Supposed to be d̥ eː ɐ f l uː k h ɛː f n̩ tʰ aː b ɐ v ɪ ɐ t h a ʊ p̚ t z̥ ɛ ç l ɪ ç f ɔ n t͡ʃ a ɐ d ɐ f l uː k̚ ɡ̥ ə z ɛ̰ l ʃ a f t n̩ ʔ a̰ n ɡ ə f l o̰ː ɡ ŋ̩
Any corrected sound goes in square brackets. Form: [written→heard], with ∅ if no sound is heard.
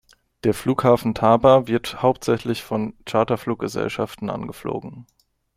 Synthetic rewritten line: d̥ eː ɐ f l uː k h [ɛː→aː] f n̩ tʰ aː b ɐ v ɪ ɐ t h a ʊ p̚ t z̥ ɛ ç l ɪ ç f ɔ n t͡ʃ a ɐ [d→t] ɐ f l uː k̚ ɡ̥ ə z ɛ̰ l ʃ a f t n̩ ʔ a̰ n ɡ ə f l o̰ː ɡ ŋ̩